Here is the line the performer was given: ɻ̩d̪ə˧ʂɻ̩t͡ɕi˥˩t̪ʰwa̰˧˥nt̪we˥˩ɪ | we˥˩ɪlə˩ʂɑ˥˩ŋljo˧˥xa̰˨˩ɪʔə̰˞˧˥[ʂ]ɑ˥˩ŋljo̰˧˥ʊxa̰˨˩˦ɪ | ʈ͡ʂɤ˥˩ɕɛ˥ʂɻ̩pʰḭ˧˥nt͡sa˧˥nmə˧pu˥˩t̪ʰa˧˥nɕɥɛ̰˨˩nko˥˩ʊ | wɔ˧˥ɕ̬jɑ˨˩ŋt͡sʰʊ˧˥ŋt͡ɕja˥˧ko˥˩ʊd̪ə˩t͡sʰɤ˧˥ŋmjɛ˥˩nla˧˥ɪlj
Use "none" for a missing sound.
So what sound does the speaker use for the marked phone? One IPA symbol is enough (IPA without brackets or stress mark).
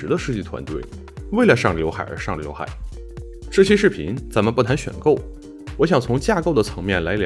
ʂ